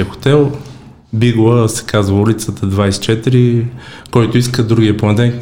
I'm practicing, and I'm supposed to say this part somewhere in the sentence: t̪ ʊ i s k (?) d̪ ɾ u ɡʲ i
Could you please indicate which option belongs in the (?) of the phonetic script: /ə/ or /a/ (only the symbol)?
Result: ə